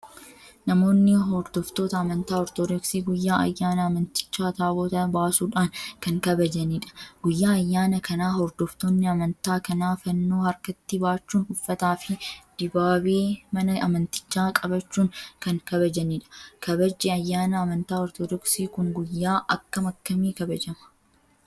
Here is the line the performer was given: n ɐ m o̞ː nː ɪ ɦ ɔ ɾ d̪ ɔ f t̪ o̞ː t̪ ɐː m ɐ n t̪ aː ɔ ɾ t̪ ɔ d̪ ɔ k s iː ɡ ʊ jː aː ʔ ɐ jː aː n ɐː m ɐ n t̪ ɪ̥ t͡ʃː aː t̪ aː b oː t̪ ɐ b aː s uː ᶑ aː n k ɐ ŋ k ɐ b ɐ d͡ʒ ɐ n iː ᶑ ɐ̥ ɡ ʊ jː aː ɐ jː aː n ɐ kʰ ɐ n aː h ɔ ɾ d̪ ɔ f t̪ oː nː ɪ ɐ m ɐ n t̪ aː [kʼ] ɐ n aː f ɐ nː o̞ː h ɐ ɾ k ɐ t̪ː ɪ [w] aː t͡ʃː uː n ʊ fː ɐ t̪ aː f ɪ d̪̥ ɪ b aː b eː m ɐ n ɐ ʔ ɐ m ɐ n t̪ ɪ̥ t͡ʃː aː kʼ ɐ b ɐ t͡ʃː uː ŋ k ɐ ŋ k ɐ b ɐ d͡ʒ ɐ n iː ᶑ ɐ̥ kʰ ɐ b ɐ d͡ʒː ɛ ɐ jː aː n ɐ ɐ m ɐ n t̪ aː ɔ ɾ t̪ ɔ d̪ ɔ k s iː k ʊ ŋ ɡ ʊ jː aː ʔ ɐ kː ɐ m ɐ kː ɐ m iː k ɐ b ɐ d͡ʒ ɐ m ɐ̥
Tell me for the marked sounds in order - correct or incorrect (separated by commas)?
incorrect, incorrect